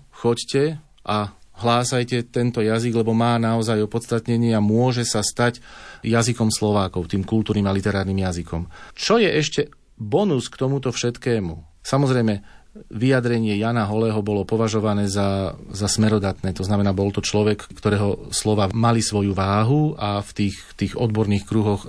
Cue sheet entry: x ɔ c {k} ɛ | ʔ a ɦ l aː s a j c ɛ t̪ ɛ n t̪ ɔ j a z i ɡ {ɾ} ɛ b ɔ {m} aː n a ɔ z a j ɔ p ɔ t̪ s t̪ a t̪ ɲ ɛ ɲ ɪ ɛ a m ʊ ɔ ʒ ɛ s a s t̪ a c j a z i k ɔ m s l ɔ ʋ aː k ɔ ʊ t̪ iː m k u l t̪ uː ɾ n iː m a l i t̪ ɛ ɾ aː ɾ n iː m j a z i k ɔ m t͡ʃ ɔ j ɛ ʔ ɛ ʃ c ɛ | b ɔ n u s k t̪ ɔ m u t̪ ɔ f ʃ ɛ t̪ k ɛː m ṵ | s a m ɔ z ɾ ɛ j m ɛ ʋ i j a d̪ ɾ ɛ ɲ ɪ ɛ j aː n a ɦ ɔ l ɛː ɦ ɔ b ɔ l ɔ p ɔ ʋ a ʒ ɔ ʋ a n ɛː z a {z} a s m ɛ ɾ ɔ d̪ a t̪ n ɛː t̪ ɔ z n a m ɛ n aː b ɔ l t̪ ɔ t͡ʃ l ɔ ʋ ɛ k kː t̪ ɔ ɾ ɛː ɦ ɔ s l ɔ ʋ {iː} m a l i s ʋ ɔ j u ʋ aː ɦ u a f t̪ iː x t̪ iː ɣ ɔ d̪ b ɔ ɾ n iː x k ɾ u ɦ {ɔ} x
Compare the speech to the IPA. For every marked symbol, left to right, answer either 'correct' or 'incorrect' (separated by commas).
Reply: incorrect, incorrect, correct, correct, incorrect, correct